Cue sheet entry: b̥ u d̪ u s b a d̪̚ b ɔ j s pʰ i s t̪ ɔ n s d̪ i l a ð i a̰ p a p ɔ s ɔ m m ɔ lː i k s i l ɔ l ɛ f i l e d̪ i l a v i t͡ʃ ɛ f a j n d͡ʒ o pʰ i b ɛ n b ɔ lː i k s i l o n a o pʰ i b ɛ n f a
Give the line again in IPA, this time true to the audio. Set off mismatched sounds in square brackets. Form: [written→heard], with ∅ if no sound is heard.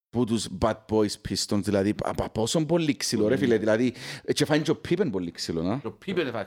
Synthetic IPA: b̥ u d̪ u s b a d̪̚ b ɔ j s pʰ i s t̪ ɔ n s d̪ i l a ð i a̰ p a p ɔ s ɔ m [m→b] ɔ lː i k s i l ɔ [l→ɾ] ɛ f i l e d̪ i l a [v→ð] i t͡ʃ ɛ f a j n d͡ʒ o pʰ i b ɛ n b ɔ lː i k s i l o n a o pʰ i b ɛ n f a